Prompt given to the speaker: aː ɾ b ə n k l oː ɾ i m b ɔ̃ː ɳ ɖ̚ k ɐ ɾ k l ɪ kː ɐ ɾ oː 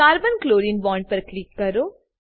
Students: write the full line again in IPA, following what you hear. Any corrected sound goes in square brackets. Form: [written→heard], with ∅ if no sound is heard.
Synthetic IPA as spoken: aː ɾ b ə n k l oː ɾ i [m→n] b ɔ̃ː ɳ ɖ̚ [k→p] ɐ ɾ k l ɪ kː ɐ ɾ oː